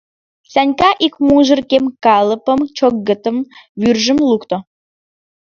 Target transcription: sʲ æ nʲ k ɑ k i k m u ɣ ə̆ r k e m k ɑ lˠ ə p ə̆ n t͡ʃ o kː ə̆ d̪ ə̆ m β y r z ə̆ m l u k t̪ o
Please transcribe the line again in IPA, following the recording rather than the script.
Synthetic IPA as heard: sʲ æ nʲ k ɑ ʔ i k m u ʒ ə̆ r k e m k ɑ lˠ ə p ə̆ m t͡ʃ o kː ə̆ t̪ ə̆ m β y r ʒ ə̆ m l u k t̪ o